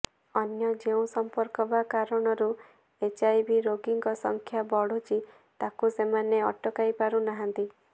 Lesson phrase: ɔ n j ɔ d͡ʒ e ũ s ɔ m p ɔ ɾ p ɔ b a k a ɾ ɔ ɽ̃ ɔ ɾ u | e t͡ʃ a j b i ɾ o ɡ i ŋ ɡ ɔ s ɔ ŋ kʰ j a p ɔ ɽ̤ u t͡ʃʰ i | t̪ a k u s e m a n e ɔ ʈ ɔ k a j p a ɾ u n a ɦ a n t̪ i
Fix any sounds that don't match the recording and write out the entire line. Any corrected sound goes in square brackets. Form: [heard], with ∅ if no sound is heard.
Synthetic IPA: ɔ n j ɔ d͡ʒ e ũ s ɔ m p ɔ ɾ [k] ɔ b a k a ɾ ɔ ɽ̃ ɔ ɾ u | e t͡ʃ a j b i ɾ o ɡ i ŋ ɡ ɔ s ɔ ŋ kʰ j a [b] ɔ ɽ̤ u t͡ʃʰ i | t̪ a k u s e m a n e ɔ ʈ ɔ k a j p a ɾ u n a ɦ a n t̪ i